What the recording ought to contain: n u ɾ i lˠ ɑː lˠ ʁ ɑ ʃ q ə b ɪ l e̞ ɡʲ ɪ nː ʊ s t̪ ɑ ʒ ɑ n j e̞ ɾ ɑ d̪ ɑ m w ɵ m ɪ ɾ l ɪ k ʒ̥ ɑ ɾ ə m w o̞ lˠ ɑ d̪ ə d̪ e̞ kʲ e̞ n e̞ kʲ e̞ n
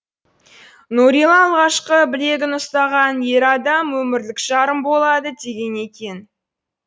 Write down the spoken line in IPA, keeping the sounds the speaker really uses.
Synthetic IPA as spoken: n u ɾ i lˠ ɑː lˠ ʁ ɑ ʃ q ə b ɪ l e̞ ɡʲ ɪ n ʊ s t̪ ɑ ʁ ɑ n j e̞ ɾ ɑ d̪ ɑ m w ɵ m ɪ ɾ l ɪ k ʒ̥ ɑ ɾ ə m b o̞ lˠ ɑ d̪ ə d̪ e̞ ɡʲ e̞ n e̞ kʲ e̞ n

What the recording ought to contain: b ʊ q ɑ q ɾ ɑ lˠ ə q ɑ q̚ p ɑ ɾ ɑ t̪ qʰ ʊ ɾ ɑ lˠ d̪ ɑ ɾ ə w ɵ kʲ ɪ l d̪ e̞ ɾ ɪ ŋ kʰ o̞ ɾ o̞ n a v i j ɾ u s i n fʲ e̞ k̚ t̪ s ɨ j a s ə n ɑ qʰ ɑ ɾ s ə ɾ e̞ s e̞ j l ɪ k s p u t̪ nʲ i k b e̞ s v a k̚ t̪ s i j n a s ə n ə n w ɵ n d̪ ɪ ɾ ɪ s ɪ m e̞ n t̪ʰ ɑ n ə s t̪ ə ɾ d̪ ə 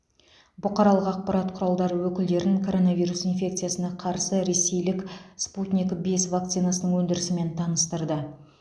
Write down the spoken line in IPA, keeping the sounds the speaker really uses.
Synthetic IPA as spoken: b ʊ q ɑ ɾ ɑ lˠ ə q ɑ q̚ p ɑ ɾ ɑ t̪ qʰ ʊ ɾ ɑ lˠ d̪ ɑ ɾ ə w ɵ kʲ ɪ l d̪ e̞ ɾ ɪ ŋ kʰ o̞ ɾ o̞ n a v i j ɾ u s i n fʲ e̞ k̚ t̪ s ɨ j a s ə n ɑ qʰ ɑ ɾ s ə ɾ e̞ s e̞ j l ɪ k s p u t̪ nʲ i k b e̞ s v a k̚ t̪ s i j n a s ə n ə ɴ w ɵ n d̪ ɪ ɾ ɪ s ɪ m e̞ n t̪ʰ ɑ n ə s t̪ ə ɾ d̪ ə

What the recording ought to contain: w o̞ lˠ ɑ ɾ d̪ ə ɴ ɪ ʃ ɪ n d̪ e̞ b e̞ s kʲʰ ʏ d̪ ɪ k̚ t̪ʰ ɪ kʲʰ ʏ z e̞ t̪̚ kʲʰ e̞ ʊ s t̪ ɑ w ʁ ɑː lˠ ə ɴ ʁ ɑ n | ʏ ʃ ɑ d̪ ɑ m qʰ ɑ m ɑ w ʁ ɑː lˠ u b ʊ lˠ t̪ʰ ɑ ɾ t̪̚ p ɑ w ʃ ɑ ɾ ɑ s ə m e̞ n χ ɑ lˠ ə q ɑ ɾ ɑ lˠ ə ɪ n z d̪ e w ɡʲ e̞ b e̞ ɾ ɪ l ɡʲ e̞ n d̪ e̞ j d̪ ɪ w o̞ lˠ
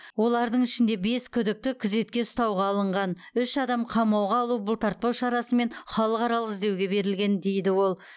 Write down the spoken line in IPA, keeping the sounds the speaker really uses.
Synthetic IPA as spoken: w o̞ lˠ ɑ ɾ d̪ ə ɴ ɪ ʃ ɪ n d̪ e̞ b e̞ s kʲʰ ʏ d̪ ɪ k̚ t̪ ɪ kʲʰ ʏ z e̞ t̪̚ kʲ e̞ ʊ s t̪ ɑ w ʁ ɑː lˠ ə ɴ ʁ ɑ n | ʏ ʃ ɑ d̪ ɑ m qʰ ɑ m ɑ w ʁ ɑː lˠ u b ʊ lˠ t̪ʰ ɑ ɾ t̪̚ p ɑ w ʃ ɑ ɾ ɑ s ə m e̞ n χ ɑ lˠ ə q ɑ ɾ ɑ lˠ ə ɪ z d̪ e w ɡʲ e̞ b e̞ ɾ ɪ l ɡʲ e̞ n d̪ e̞ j d̪ ɪ w o̞ lˠ

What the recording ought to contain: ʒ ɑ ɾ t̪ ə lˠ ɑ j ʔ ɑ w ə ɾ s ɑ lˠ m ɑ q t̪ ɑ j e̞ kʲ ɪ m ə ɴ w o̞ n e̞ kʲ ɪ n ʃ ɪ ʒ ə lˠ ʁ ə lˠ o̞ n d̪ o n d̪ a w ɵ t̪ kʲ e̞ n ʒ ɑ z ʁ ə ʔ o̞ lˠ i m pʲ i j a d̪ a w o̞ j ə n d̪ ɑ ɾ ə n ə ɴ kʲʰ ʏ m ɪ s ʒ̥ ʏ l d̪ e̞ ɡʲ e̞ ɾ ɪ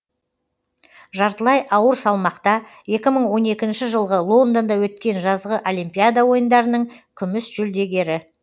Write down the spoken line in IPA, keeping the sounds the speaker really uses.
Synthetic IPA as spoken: ʒ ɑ ɾ t̪ ə lˠ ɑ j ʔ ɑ w ə ɾ s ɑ lˠ m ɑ q t̪ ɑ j e̞ kʲ ɪ m ə ɴ w o̞ n e̞ kʲ ɪ n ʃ ɪ ʒ ə lˠ ʁ ə lˠ o̞ n d̪ o n d̪ ɑ w ɵ t̪ kʲ e̞ n ʒ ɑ z ʁ ə ʔ o̞ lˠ i m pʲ i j a d̪ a w o̞ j ə n d̪ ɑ ɾ ə n ə ɴ kʲʰ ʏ m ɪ s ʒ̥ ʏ l d̪ e̞ ɡʲ e̞ ɾ ɪ

